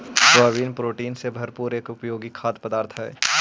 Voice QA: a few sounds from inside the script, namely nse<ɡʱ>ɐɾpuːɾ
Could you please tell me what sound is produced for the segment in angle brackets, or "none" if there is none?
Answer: bʱ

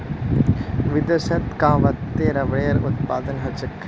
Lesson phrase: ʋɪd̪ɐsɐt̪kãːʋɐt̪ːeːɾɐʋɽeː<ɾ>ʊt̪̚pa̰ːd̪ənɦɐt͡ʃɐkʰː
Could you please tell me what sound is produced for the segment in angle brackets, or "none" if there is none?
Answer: ɾ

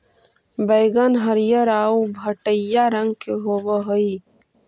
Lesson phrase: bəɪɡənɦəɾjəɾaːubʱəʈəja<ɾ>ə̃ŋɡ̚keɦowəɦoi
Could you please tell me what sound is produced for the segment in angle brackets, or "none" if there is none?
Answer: ɾ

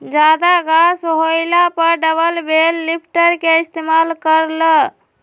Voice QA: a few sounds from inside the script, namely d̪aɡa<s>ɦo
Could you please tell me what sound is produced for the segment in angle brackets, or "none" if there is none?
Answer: s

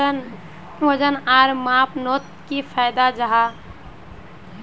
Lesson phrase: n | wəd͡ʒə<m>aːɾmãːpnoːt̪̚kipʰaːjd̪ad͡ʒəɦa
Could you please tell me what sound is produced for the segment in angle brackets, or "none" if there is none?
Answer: n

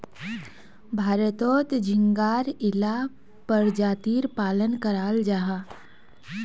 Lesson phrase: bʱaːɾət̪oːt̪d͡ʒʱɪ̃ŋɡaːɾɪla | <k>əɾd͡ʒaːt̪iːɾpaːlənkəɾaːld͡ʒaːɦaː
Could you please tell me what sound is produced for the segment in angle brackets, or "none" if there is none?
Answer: p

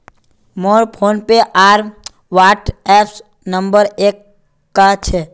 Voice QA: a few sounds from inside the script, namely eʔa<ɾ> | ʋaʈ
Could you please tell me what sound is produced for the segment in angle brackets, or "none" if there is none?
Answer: ɾ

